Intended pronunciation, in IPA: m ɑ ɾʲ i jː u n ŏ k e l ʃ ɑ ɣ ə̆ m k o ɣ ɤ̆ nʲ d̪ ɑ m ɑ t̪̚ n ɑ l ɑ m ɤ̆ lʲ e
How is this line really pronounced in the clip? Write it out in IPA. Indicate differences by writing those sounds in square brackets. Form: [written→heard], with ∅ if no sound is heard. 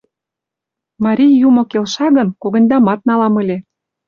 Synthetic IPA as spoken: m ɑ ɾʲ i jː u [n→m] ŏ k e l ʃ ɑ ɣ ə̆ [m→n] k o ɣ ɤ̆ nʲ d̪ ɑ m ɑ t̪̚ n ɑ l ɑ m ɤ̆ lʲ e